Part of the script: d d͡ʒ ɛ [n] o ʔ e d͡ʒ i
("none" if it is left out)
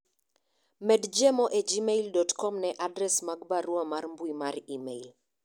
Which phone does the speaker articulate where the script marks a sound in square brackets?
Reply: m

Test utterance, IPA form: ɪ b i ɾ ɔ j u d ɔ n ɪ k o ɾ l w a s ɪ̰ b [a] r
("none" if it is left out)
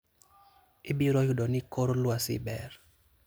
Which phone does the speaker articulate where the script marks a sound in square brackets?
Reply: ɛ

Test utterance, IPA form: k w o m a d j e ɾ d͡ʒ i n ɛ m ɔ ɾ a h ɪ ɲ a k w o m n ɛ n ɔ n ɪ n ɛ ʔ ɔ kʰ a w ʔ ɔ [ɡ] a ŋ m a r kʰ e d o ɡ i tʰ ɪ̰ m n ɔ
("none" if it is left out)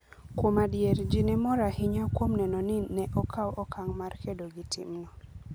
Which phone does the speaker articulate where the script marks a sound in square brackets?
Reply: k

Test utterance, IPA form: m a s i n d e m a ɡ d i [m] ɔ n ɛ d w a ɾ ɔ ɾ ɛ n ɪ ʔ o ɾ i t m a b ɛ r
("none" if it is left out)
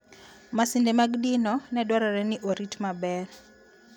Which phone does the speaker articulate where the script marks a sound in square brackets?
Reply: n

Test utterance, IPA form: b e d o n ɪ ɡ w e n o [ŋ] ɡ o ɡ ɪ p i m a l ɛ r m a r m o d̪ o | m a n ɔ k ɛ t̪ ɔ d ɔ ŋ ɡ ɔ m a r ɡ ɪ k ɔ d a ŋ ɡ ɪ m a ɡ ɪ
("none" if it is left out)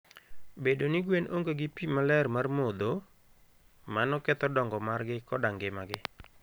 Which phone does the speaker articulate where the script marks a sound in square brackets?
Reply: ŋ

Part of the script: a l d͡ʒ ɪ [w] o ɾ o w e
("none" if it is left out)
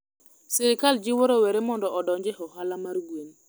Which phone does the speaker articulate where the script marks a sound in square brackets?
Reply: w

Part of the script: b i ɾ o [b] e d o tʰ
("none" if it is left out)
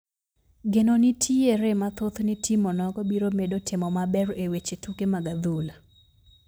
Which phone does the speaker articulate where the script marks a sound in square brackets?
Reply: m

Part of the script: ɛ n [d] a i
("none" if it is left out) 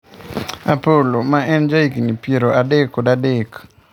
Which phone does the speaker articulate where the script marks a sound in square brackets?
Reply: d͡ʒ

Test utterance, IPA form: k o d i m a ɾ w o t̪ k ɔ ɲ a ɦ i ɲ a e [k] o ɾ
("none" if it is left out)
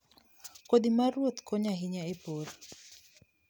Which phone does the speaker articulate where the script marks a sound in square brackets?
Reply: p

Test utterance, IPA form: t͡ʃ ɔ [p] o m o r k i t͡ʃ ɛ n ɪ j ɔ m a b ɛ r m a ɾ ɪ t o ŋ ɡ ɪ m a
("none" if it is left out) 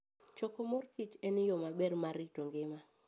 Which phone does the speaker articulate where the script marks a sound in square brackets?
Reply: k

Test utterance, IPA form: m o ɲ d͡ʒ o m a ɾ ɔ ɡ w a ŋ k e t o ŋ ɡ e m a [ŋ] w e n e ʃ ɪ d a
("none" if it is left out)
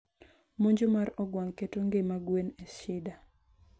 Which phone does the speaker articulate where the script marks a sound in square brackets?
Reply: ɡ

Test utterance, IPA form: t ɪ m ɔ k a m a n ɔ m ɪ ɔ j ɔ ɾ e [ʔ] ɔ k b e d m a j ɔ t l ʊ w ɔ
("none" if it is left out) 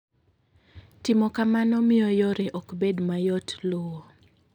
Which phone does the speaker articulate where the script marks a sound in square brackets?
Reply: ʔ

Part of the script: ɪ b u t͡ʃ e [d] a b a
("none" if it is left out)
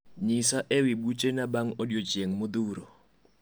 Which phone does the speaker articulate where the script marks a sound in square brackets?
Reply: n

